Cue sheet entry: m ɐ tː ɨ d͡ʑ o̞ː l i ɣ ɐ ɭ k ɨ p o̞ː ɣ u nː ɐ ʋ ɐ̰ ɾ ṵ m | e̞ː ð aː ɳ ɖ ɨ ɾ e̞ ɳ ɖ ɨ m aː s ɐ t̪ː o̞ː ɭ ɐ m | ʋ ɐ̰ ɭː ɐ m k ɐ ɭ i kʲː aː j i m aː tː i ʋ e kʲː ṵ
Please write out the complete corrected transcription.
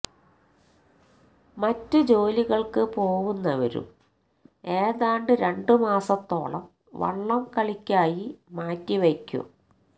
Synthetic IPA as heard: m ɐ tː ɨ d͡ʑ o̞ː l i ɣ ɐ ɭ k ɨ p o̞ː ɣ u nː ɐ ʋ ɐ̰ ɾ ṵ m | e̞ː ð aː ɳ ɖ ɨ ɾ e̞ ɳ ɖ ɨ m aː s ɐ t̪ː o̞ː ɭ ɐ m | ʋ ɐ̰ ɭː ɐ m k ɐ ɭ i kʲː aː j i m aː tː i ʋ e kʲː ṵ

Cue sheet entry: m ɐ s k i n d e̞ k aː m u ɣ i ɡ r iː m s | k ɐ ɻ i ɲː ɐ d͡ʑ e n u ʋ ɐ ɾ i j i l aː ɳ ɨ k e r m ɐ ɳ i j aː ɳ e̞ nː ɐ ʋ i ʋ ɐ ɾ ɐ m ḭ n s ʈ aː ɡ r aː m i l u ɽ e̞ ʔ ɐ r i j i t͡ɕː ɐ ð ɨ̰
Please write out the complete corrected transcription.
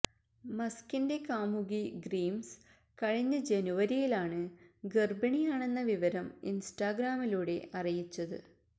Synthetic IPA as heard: m ɐ s k i n d e̞ k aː m u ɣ i ɡ r iː m s | k ɐ ɻ i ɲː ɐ d͡ʑ e n u ʋ ɐ ɾ i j i l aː ɳ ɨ ɡ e r b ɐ ɳ i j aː ɳ e̞ nː ɐ ʋ i ʋ ɐ ɾ ɐ m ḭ n s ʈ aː ɡ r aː m i l uː ɽ e̞ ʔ ɐ r i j i t͡ɕː ɐ ð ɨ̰

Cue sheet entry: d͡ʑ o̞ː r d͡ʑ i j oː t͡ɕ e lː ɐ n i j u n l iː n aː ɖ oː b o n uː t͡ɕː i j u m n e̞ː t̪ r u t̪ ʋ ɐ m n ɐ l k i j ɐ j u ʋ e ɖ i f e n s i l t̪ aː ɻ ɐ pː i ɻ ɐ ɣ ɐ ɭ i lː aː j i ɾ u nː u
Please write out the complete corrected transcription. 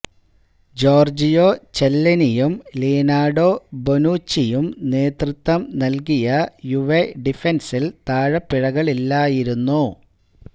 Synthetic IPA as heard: d͡ʑ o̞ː r d͡ʑ i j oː t͡ɕ e lː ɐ n i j u m l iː n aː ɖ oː b o n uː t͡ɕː i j u m n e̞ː t̪ r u t̪ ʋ ɐ m n ɐ l k i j ɐ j u ʋ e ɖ i f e n s i l t̪ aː ɻ ɐ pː i ɻ ɐ ɣ ɐ ɭ i lː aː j i ɾ u nː u

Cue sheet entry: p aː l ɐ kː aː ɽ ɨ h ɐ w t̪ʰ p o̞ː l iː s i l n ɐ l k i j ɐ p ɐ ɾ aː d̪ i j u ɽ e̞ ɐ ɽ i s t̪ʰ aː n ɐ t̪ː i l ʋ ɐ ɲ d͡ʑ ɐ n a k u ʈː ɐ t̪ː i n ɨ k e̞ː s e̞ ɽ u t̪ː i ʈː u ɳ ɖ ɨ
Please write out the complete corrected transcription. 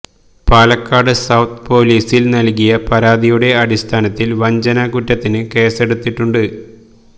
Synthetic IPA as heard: p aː l ɐ kː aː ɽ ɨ s ɐ w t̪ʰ p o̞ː l iː s i l n ɐ l k i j ɐ p ɐ ɾ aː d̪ i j u ɽ e̞ ɐ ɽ i s t̪ʰ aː n ɐ t̪ː i l ʋ ɐ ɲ d͡ʑ ɐ n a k u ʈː ɐ t̪ː i n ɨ k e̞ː s e̞ ɽ u t̪ː i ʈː u ɳ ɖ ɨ

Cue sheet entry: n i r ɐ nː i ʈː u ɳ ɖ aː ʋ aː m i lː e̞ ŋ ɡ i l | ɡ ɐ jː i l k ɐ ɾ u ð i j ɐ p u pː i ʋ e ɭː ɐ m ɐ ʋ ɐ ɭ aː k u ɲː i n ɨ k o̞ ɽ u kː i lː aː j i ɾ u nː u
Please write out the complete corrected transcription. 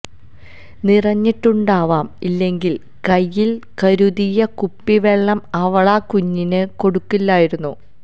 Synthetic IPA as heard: n i r ɐ ɲː i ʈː u ɳ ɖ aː ʋ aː m i lː e̞ ŋ ɡ i l | k ɐ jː i l k ɐ ɾ u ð i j ɐ k u pː i ʋ e ɭː ɐ m ɐ ʋ ɐ ɭ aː k u ɲː i n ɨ k o̞ ɽ u kː i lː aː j i ɾ u nː u

